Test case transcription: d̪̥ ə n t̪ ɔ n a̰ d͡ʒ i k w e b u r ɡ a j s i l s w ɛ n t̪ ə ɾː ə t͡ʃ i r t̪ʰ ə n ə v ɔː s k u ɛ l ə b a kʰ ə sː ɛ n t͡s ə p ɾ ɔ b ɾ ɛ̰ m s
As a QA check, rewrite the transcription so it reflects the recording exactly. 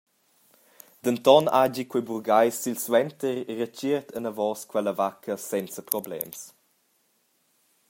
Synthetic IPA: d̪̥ ə n t̪ ɔ n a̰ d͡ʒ i k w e b u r ɡ a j s i l s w ɛ n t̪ ə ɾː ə t͡ʃ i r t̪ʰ ə n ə v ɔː s k w ɛ l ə v a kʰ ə s ɛ n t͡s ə p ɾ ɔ b l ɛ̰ m s